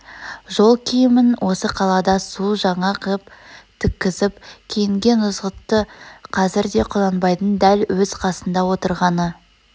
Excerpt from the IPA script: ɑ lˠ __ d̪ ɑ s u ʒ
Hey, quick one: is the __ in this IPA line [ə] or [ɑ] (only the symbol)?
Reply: ɑ